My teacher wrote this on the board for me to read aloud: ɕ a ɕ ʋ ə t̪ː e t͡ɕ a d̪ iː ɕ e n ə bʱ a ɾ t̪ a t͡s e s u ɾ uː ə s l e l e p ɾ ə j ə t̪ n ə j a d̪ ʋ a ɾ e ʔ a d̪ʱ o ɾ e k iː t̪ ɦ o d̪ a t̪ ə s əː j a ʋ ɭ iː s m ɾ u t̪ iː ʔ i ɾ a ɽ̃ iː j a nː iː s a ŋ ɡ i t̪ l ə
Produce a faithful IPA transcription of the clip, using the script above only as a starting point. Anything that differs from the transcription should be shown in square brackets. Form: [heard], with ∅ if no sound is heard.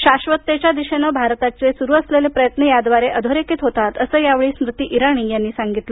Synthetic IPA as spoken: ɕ a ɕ ʋ ə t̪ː e t͡ɕ a d̪ [i] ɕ e n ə bʱ a ɾ t̪ a t͡s e s u ɾ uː ə s l e l e p ɾ ə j ə t̪ n ə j a d̪ ʋ a ɾ e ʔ [ə] d̪ʱ o ɾ e k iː t̪ ɦ o [t̪] a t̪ ə s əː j a ʋ ɭ iː s m ɾ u t̪ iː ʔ i ɾ a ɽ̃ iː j a nː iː s a ŋ ɡ i t̪ l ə